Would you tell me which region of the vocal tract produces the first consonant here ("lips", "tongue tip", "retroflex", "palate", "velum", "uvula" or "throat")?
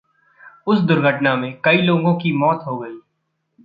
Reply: tongue tip